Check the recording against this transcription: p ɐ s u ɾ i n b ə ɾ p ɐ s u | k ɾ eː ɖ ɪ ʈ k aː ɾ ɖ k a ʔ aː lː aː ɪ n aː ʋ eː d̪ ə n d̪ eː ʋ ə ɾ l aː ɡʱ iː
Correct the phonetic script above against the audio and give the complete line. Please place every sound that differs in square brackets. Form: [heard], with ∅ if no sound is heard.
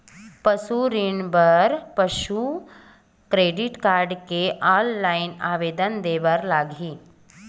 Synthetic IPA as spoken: p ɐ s u ɾ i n b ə ɾ p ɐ [ʃ] u | k ɾ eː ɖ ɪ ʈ k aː ɾ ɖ k [e] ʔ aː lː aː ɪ n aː ʋ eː d̪ ə n d̪ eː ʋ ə ɾ l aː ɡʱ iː